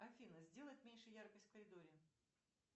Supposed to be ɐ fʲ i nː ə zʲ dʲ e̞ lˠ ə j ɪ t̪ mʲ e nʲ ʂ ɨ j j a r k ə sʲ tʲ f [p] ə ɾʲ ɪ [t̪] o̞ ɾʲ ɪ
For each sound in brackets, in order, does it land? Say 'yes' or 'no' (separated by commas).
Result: no, no